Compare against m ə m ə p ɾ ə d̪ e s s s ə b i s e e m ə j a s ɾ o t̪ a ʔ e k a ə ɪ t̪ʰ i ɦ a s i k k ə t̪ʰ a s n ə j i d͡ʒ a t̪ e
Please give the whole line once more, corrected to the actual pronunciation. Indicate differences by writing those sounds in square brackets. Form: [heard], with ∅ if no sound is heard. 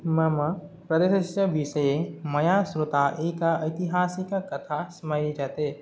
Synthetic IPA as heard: m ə m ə p ɾ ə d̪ e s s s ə b i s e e m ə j a s ɾ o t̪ a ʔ e k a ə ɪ [t̪] i ɦ a s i k k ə t̪ʰ a s [m] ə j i d͡ʒ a t̪ e